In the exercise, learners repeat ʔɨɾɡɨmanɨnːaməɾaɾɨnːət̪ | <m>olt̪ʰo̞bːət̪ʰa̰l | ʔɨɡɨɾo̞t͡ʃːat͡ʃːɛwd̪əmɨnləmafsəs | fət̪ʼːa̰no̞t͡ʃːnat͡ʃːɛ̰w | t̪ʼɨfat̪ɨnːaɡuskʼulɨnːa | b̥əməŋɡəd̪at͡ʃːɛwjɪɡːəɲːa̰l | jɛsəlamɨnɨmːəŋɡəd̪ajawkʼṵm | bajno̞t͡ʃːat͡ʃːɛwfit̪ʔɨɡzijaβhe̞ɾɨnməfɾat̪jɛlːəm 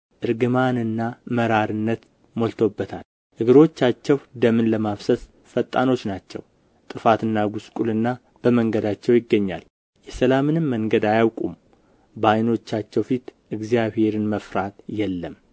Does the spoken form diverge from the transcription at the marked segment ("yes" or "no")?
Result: no